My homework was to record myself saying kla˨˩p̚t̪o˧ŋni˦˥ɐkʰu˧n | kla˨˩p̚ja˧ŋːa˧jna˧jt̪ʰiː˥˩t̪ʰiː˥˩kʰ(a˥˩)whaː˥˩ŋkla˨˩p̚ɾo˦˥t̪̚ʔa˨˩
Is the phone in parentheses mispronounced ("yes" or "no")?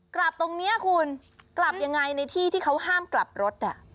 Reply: yes